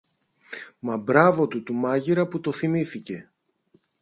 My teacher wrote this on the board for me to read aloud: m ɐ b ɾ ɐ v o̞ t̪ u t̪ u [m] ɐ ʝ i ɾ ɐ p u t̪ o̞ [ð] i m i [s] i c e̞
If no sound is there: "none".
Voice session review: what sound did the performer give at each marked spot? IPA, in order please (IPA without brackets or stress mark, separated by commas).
m, θ, θ